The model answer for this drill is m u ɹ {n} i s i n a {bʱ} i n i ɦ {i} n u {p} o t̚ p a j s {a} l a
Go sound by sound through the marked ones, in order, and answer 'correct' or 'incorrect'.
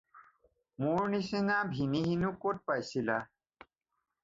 correct, correct, correct, incorrect: k, incorrect: i

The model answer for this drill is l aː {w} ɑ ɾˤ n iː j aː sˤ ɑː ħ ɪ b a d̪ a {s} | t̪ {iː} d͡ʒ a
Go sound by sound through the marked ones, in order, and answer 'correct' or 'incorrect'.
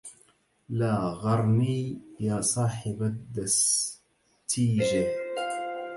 incorrect: ɣ, correct, correct

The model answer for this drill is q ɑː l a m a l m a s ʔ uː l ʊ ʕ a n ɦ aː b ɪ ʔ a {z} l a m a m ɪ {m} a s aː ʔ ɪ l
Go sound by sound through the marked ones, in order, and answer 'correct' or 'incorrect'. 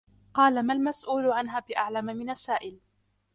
incorrect: ʕ, incorrect: n

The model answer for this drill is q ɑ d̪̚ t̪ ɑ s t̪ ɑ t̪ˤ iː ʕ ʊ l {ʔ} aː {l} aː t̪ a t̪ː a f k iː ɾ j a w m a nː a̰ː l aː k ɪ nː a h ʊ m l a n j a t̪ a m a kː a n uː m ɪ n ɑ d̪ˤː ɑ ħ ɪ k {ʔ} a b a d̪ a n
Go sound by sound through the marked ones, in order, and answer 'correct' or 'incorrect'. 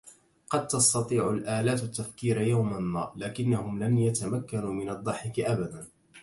correct, correct, correct

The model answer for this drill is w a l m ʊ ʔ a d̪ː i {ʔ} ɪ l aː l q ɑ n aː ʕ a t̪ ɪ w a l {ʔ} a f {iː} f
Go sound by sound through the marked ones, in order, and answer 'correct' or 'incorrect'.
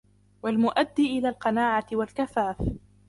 correct, incorrect: k, incorrect: aː

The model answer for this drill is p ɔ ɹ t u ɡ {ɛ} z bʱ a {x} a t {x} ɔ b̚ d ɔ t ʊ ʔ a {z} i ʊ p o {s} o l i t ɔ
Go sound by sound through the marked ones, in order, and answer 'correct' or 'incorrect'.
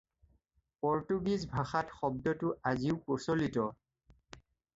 incorrect: i, correct, correct, correct, correct

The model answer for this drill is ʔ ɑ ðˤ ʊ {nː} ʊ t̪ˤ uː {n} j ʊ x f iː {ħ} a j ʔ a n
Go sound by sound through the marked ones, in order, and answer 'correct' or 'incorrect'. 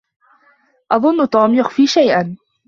correct, incorrect: m, incorrect: ʃ

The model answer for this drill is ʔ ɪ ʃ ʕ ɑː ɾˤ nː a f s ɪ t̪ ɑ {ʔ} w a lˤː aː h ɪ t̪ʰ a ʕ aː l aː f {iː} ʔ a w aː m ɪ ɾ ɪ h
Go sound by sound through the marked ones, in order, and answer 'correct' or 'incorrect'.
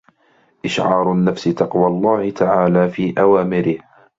incorrect: q, correct

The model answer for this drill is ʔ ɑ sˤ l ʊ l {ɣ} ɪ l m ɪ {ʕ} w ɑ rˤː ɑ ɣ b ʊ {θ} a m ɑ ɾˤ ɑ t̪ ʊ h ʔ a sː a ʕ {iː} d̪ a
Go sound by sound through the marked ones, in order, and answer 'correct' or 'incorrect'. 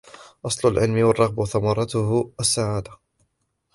incorrect: ʕ, incorrect: none, correct, incorrect: aː

